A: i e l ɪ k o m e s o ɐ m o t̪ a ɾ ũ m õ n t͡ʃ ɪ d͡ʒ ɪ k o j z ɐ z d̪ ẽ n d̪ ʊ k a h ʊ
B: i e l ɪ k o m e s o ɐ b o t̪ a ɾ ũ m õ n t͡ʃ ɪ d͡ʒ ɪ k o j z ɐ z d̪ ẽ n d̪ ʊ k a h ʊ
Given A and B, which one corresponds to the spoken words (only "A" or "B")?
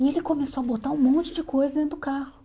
B